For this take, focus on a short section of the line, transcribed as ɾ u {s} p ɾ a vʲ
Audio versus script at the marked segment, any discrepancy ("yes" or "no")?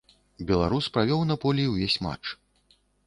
no